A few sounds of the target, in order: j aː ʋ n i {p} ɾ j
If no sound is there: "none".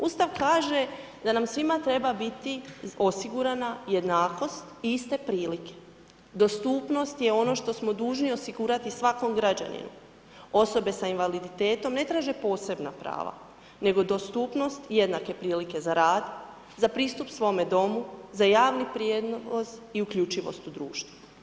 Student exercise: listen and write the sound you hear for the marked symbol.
p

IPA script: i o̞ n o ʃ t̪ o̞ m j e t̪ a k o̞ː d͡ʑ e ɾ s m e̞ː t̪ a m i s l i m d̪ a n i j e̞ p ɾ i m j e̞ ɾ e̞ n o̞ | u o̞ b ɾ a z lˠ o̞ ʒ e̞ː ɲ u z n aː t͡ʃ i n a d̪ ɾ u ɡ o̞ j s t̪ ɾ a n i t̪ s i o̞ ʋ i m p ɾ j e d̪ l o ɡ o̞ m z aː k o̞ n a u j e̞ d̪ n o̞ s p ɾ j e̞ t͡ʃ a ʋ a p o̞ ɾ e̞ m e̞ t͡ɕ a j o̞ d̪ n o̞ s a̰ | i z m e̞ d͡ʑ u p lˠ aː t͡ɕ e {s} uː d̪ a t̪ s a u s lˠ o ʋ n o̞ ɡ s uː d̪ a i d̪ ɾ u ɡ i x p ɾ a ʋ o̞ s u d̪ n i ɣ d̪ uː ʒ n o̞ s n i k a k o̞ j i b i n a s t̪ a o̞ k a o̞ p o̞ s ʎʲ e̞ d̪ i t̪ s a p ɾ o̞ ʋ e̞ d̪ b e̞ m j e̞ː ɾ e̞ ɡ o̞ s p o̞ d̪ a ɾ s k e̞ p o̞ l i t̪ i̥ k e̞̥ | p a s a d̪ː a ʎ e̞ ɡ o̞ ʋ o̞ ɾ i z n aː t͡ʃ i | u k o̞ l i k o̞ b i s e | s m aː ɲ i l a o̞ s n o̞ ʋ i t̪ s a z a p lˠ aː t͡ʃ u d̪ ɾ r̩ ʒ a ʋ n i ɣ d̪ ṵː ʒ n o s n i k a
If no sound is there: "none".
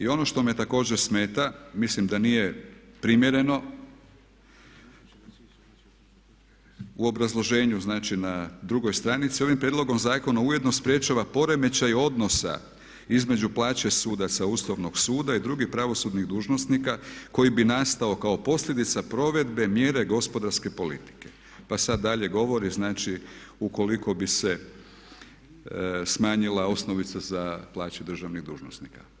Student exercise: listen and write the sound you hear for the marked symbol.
s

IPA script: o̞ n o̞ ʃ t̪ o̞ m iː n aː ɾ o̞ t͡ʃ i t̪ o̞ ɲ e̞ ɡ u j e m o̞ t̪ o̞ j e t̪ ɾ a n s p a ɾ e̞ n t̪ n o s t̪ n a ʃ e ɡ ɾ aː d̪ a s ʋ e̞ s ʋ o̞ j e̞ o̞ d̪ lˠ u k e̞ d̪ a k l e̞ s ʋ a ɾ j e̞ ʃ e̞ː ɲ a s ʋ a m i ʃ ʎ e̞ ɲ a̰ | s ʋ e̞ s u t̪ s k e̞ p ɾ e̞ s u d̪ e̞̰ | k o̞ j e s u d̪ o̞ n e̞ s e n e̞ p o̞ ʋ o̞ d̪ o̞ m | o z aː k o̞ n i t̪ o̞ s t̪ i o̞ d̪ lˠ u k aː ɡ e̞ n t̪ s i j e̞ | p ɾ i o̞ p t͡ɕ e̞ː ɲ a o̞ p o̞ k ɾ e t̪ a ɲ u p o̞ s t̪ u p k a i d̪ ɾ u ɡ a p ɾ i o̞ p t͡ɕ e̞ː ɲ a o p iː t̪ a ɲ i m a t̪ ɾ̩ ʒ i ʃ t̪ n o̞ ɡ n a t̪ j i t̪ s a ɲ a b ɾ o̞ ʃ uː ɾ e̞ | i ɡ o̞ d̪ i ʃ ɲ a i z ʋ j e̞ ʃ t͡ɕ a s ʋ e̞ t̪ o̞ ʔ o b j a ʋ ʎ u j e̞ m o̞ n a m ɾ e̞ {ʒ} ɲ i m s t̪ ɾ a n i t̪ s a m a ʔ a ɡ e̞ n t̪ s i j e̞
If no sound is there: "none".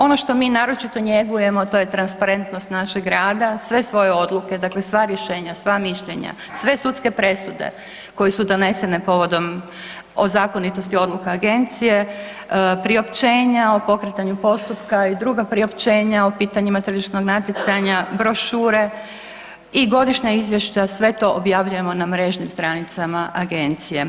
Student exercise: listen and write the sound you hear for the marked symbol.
ʒ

